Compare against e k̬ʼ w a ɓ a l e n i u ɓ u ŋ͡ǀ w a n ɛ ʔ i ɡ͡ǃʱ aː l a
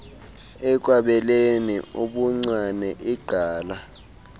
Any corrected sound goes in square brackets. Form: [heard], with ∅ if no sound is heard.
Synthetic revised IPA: [ɛ] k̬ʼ w a ɓ [ɛ] l e n i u ɓ u ŋ͡ǀ w a n ɛ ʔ i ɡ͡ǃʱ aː l a